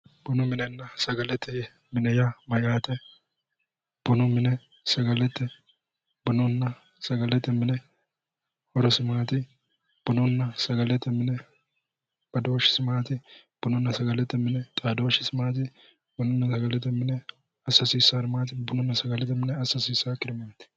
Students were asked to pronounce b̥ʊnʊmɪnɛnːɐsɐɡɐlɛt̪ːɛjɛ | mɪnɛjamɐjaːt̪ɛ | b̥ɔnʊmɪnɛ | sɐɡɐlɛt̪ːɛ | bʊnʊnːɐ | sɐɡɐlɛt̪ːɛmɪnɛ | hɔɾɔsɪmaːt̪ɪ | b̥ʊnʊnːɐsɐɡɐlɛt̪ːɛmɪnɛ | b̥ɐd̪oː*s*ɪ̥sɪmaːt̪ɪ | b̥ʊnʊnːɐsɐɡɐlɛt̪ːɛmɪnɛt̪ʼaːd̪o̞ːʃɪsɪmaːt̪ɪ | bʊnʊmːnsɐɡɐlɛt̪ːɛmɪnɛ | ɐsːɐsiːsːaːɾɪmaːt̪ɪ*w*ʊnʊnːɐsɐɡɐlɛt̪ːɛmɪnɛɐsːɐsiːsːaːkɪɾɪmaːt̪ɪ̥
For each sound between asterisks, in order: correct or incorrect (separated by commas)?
incorrect, incorrect